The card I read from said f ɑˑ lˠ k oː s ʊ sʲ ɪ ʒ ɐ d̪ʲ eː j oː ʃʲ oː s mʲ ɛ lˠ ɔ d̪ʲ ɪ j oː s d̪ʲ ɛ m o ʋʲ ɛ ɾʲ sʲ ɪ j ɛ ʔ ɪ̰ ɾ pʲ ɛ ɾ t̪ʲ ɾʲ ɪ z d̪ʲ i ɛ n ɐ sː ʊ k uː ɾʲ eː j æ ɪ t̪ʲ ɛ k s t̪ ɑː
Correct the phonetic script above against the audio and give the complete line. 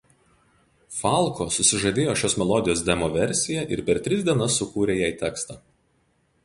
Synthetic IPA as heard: f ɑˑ lˠ k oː s ʊ sʲ ɪ ʒ ɐ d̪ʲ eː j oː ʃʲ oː s mʲ ɛ lˠ ɔ d̪ʲ ɪ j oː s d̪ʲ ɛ m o ʋʲ ɛ ɾʲ sʲ ɪ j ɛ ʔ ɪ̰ ɾ pʲ ɛ ɾ t̪ʲ ɾʲ ɪ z d̪ʲ i ɛ n ɐ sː ʊ k uː ɾʲ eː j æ ɪ t̪ʲ ɛ k s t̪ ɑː

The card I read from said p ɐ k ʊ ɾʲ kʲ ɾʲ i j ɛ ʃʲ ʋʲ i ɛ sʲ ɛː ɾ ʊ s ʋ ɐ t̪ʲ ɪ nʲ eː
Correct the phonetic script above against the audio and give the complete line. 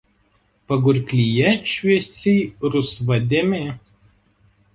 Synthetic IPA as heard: p ɐ ɡ ʊ ɾʲ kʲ lʲ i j ɛ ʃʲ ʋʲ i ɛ sʲ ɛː ɾ ʊ s ʋ ɐ d̪ʲ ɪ mʲ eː

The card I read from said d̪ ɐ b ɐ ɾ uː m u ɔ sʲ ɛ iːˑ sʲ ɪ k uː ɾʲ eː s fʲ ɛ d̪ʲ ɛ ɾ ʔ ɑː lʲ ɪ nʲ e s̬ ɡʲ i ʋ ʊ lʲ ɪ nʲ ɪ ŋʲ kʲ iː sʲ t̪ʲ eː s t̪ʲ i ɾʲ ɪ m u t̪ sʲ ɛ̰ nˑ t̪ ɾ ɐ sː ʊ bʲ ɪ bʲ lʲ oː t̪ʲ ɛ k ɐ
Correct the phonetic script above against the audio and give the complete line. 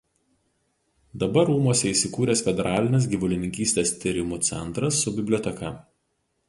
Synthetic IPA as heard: d̪ ɐ b ɐ ɾ uː m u ɔ sʲ ɛ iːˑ sʲ ɪ k uː ɾʲ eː s fʲ ɛ d̪ʲ ɛ ɾ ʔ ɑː lʲ ɪ nʲ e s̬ ɡʲ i ʋ ʊ lʲ ɪ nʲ ɪ ŋʲ kʲ iː sʲ t̪ʲ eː s t̪ʲ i ɾʲ ɪ m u t̪ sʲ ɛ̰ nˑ t̪ ɾ ɐ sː ʊ bʲ ɪ bʲ lʲ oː t̪ʲ ɛ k ɐ

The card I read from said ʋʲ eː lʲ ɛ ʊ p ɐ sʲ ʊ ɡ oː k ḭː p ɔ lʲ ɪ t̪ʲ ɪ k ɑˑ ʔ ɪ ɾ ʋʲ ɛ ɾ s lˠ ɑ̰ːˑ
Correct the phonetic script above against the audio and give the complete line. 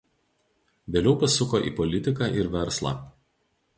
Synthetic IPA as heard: ʋʲ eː lʲ ɛ ʊ p ɐ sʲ ʊ k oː ʔ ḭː p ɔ lʲ ɪ t̪ʲ ɪ k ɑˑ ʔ ɪ ɾ ʋʲ ɛ ɾ s lˠ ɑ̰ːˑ

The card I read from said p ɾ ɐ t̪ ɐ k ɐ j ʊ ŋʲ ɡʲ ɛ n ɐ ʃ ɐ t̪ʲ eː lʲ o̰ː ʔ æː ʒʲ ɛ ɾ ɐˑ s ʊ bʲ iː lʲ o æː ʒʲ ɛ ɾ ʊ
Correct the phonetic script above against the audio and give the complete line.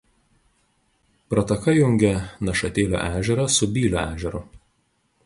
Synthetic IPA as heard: p ɾ ɐ t̪ ɐ k ɐ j ʊ ŋʲ ɡʲ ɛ n ɐ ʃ ɐ t̪ʲ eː lʲ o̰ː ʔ æː ʒʲ ɛ ɾ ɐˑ s ʊ bʲ iː lʲ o æː ʒʲ ɛ ɾ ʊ

